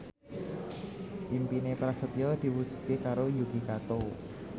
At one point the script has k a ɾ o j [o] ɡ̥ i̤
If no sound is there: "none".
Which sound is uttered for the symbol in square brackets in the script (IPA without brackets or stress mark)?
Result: u